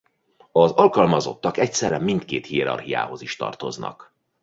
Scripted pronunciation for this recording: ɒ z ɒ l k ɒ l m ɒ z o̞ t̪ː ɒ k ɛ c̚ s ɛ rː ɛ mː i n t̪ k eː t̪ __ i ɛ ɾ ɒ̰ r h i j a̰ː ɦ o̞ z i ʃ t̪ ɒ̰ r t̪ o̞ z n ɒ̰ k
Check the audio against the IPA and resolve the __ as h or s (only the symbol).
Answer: h